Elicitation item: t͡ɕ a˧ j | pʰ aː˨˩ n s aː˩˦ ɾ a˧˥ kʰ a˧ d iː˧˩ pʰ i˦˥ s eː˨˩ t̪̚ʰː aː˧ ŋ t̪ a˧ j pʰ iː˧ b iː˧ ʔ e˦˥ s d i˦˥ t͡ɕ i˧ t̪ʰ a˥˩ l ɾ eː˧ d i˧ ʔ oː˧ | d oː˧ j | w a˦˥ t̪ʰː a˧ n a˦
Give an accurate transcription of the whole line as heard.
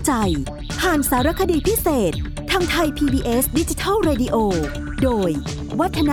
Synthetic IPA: t͡ɕ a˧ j | pʰ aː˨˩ n s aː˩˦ ɾ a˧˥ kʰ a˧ d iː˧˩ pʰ i˦˥ s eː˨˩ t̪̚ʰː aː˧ ŋ t̪ʰ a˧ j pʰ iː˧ b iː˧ ʔ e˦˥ s d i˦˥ t͡ɕ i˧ t̪ʰ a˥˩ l ɾ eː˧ d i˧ ʔ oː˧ | d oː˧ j | w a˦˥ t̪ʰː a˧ n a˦